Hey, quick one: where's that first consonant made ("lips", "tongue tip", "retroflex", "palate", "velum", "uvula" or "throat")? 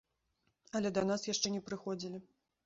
tongue tip